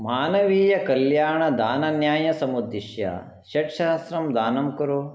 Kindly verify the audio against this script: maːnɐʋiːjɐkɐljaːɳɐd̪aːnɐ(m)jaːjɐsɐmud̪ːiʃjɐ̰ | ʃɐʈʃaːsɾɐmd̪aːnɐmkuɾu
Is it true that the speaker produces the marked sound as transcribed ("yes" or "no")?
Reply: no